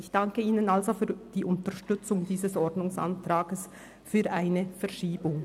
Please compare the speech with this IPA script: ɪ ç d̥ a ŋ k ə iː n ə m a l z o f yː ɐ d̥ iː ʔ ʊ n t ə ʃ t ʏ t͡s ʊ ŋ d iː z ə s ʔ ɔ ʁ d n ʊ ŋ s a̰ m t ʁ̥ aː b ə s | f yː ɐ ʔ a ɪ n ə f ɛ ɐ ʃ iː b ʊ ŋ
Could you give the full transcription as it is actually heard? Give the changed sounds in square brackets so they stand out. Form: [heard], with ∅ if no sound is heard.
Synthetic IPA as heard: ɪ ç d̥ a ŋ k ə iː n ə [n] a l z o f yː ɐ d̥ iː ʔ ʊ n t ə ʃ t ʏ t͡s ʊ ŋ d iː z ə s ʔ ɔ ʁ d n ʊ ŋ s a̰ [n] t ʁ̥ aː [ɡ] ə s | f yː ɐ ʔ a ɪ n ə f ɛ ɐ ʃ iː b ʊ ŋ